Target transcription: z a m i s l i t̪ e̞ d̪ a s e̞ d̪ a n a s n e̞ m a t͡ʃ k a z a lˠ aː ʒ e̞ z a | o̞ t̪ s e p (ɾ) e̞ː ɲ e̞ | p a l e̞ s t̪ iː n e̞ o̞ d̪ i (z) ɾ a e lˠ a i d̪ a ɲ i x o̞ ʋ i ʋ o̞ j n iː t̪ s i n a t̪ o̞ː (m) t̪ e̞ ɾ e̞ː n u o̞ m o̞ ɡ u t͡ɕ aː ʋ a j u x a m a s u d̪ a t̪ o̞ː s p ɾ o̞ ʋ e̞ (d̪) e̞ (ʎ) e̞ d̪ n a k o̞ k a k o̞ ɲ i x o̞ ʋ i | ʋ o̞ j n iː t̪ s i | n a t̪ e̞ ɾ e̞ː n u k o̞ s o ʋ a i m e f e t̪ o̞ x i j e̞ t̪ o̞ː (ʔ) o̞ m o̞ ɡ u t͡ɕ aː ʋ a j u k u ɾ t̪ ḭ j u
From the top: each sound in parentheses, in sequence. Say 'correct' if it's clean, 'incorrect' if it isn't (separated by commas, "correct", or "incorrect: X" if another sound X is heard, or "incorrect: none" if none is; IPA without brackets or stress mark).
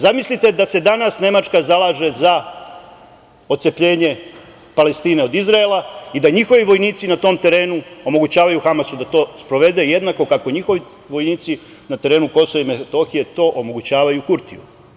incorrect: ʎ, correct, correct, correct, incorrect: j, correct